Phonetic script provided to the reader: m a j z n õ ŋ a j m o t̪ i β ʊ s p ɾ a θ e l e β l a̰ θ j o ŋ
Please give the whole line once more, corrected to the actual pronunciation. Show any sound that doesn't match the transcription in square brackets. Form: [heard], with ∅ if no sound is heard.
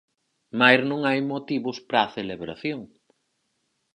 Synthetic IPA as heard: m a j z n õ ŋ a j m o t̪ i β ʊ s p ɾ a θ e l e β [ɾ] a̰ θ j o ŋ